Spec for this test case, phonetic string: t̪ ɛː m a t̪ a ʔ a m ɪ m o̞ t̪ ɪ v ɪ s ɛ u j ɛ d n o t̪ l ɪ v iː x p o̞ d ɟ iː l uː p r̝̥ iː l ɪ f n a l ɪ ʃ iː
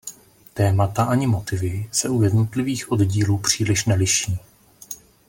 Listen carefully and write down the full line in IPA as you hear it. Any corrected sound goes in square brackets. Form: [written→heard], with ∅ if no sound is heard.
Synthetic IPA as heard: t̪ ɛː m a t̪ a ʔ a [m→ɲ] ɪ m o̞ t̪ ɪ v ɪ s ɛ u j ɛ d n o t̪ l ɪ v iː x [p→ʔ] o̞ d ɟ iː l uː p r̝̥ iː l ɪ [f→ʃ] n [a→ɛ] l ɪ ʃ iː